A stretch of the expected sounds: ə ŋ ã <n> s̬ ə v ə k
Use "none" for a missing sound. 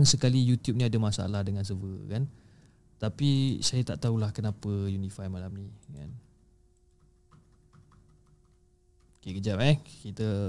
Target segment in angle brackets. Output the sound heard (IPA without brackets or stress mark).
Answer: n